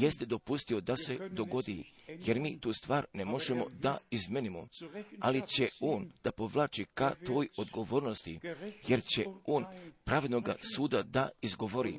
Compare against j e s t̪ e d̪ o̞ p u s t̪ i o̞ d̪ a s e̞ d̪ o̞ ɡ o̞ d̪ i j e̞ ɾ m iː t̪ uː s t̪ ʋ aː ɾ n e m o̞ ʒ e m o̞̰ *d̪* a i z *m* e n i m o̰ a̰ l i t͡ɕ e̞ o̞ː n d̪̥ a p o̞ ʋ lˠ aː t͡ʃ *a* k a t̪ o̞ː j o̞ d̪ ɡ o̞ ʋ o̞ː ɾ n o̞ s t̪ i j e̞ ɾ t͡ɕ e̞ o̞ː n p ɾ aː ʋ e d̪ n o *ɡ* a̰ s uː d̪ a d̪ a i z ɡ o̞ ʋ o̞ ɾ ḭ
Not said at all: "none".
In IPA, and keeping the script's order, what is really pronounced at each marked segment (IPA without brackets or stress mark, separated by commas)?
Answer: d̪, m, i, ɡ